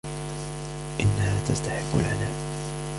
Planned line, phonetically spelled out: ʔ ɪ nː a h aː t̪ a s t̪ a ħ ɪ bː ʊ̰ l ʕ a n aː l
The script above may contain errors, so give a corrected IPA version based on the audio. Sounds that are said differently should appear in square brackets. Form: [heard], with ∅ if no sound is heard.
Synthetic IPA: ʔ ɪ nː a h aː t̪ a s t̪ a ħ ɪ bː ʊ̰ l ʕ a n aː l